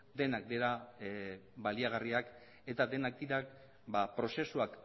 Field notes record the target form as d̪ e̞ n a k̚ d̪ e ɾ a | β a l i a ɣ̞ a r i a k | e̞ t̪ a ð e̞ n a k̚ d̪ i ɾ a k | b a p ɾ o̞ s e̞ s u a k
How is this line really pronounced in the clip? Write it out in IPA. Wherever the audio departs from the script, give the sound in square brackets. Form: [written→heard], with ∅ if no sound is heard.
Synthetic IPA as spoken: d̪ e̞ n a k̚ d̪ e ɾ a | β a l i a ɣ̞ a r i a k | e̞ t̪ a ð e̞ n a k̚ d̪ i ɾ a k | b a p ɾ o̞ s e̞ s u a k